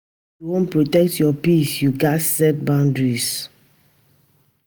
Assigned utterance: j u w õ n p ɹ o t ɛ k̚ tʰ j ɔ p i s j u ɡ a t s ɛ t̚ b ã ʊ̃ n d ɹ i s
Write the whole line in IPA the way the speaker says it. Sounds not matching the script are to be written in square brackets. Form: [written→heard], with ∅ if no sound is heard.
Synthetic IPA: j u w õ n p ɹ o t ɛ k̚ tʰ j ɔ p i s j u ɡ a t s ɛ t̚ b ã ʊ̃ n d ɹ i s